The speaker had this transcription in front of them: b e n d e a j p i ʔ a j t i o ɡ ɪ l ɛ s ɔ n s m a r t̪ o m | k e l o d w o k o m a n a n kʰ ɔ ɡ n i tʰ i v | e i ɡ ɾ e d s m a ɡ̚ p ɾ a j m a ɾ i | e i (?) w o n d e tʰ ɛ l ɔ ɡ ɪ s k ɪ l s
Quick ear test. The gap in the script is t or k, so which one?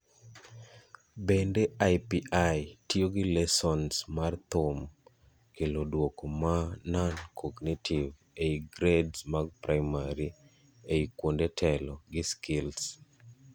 k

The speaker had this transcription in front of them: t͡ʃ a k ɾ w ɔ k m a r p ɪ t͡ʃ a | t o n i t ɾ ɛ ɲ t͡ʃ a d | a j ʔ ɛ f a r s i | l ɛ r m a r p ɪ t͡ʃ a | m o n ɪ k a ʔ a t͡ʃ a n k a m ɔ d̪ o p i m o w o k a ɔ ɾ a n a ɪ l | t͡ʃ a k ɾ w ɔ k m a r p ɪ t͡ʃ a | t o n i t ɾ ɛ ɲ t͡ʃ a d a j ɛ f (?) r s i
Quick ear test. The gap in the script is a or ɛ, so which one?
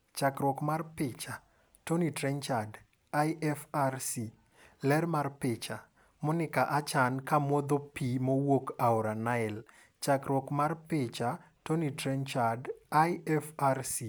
a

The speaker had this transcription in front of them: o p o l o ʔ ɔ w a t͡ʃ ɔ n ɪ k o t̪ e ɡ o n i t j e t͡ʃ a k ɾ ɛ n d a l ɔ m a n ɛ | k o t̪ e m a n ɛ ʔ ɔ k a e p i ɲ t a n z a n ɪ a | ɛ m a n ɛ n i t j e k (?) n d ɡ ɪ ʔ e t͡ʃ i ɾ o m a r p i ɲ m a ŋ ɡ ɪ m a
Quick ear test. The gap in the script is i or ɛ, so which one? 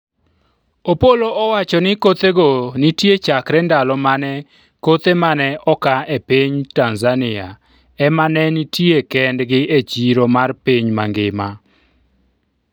ɛ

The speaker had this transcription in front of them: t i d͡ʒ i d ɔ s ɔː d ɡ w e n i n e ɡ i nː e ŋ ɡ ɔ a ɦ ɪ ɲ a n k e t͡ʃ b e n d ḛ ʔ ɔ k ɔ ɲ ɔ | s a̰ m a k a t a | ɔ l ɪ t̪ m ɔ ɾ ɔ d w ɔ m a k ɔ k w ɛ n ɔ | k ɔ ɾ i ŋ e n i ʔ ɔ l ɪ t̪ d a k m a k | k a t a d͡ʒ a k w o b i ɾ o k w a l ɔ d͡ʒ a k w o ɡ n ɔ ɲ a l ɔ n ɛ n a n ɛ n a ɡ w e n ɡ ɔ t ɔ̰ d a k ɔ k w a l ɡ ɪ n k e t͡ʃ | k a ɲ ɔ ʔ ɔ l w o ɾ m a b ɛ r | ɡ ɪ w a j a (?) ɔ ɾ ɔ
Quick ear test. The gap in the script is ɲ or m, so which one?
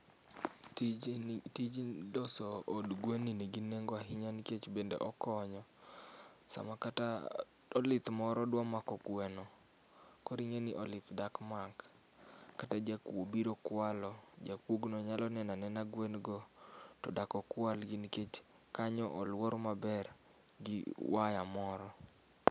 m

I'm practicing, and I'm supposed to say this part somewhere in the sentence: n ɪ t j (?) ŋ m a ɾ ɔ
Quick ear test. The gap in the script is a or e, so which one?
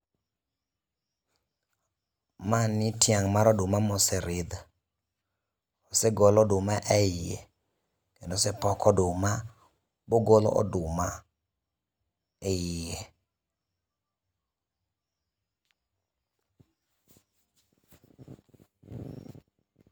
a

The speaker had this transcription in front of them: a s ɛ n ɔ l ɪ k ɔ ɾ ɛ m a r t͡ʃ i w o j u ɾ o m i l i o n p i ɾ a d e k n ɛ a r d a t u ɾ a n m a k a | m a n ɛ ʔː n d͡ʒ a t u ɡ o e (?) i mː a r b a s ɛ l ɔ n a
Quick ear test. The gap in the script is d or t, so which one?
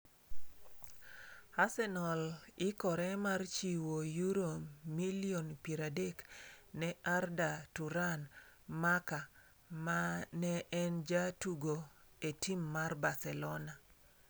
t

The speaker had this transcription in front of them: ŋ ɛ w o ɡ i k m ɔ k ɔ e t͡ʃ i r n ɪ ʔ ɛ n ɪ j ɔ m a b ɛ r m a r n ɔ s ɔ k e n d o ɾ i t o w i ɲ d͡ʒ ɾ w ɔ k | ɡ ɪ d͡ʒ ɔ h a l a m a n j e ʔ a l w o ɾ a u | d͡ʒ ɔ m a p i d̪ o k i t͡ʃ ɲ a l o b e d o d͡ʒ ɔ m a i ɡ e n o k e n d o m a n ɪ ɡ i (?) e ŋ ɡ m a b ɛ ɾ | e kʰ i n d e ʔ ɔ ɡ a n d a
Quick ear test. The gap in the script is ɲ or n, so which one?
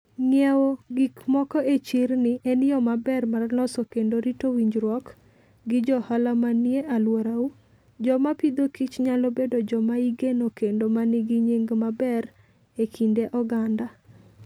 ɲ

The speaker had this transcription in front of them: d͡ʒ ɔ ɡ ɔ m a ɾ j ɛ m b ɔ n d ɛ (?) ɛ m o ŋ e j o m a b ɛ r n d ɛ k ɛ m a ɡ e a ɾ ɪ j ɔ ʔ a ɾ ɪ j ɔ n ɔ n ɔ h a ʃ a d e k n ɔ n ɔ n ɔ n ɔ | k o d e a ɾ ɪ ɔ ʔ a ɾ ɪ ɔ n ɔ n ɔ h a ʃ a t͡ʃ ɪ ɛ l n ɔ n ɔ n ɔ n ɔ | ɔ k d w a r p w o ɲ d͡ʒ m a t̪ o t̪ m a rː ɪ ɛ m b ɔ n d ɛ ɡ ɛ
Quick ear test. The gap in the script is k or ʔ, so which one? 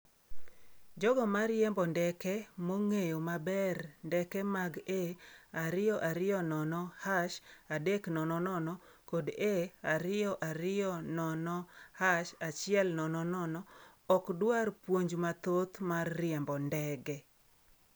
k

